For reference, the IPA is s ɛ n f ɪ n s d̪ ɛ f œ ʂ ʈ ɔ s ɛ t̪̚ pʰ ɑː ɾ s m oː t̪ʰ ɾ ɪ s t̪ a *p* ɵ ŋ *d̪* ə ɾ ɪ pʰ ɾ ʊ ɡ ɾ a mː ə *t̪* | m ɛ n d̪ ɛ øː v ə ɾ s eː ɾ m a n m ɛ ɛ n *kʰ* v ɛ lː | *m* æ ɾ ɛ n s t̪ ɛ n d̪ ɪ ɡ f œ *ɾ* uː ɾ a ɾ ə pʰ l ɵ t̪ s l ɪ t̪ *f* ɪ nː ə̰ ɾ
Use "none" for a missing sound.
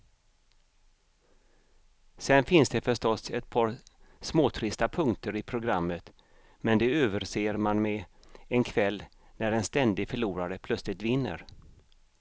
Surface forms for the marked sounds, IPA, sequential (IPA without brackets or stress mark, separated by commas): pʰ, t̪, t̪, kʰ, n, ɭ, v